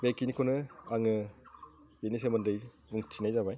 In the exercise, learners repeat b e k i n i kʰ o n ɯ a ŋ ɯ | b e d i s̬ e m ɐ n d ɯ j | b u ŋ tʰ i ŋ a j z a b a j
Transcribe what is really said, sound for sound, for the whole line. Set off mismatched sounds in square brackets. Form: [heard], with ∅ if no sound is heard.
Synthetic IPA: b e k i n i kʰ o n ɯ a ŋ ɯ | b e [n] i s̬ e m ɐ n d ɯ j | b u ŋ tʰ i [n] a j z a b a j